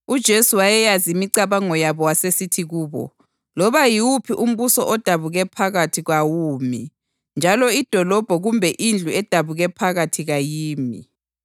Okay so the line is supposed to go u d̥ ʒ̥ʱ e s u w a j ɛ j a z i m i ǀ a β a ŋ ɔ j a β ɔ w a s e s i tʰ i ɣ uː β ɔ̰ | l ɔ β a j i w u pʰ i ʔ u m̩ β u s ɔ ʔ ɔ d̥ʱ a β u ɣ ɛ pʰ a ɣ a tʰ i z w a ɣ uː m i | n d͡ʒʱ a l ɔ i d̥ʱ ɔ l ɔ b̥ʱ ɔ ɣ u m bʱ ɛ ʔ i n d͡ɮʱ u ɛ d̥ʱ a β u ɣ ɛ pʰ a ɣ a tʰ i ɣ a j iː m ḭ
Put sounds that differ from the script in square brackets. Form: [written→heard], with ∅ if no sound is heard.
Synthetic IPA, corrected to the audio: u d̥ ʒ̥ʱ e s u w a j ɛ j a z i m i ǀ a β a ŋ ɔ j a β ɔ w a s e s i tʰ i ɣ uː β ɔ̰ | l ɔ β a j i w u pʰ i ʔ u m̩ β u s ɔ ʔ ɔ d̥ʱ a β u ɣ ɛ pʰ a ɣ a tʰ i [z→ɣ] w a [ɣ→w] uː m i | n d͡ʒʱ a l ɔ i d̥ʱ ɔ l ɔ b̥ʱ ɔ ɣ u m bʱ ɛ ʔ i n d͡ɮʱ u ɛ d̥ʱ a β u ɣ ɛ pʰ a ɣ a tʰ i ɣ a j iː m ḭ